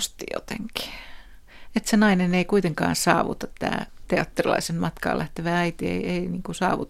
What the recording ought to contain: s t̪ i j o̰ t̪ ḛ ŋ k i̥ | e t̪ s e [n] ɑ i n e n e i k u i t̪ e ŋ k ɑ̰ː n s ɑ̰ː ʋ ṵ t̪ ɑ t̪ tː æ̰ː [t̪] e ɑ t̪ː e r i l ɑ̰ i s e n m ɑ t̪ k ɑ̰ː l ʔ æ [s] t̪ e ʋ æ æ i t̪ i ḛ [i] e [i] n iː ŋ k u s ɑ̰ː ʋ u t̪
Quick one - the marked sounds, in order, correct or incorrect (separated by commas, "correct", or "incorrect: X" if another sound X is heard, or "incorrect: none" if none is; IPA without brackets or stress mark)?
correct, correct, incorrect: h, correct, correct